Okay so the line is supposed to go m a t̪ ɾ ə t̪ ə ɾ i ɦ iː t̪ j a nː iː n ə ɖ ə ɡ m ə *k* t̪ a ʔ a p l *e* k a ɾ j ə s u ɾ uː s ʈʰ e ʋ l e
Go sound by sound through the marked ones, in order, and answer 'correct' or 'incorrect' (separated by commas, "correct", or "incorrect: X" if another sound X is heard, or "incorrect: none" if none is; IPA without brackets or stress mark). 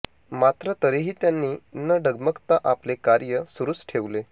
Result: correct, correct